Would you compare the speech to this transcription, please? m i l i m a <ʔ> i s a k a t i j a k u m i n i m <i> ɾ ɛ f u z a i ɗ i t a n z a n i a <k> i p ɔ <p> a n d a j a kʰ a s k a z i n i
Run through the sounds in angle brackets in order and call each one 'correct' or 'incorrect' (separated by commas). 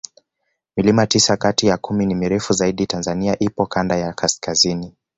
incorrect, correct, incorrect, incorrect